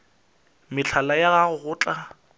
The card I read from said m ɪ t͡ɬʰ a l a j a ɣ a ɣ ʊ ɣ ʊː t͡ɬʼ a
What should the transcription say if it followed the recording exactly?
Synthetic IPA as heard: m ɪ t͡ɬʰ a l a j a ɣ a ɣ ʊ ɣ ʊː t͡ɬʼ a